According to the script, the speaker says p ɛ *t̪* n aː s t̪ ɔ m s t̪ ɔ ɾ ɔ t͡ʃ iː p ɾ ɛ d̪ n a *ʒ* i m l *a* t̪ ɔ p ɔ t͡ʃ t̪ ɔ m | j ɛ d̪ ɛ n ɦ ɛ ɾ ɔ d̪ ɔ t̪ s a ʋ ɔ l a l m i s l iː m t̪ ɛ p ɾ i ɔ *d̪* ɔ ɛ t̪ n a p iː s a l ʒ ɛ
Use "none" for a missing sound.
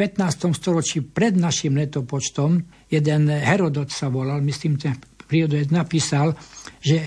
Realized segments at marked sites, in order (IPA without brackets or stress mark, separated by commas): t̪, ʃ, ɛ, d̪